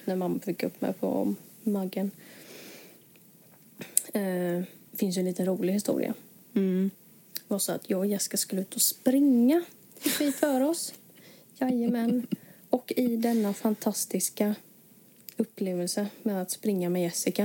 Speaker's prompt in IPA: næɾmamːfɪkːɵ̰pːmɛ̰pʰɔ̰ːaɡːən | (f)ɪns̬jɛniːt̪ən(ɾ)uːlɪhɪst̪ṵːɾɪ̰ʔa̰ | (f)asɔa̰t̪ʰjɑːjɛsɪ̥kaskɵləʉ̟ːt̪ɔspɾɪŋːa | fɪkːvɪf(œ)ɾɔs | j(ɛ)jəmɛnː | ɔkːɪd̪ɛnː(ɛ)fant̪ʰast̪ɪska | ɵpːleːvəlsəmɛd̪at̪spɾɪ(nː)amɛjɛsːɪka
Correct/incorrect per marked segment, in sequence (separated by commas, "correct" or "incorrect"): correct, correct, incorrect, incorrect, incorrect, incorrect, incorrect